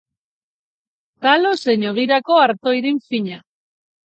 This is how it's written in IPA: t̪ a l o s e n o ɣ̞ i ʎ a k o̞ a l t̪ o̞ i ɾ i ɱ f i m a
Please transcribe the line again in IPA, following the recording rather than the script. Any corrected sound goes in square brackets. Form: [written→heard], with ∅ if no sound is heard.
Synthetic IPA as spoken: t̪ a l o s e [n→ɲ] o ɣ̞ i [ʎ→ɾ] a k o̞ a [l→ɾ] t̪ o̞ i ɾ i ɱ f i [m→ɲ] a